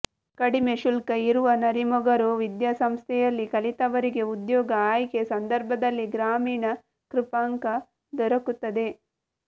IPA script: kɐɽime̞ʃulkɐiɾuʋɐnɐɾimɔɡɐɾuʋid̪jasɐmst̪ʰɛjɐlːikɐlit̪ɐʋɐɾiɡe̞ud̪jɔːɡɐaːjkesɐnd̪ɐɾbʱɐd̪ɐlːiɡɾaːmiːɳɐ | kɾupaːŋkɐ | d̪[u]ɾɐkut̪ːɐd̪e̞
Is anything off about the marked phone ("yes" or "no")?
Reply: yes